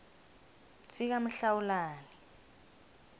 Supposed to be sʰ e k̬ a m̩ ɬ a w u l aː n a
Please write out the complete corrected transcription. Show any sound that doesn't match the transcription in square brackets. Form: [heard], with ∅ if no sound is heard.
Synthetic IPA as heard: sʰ [i] k̬ a m̩ ɬ a w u l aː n [i]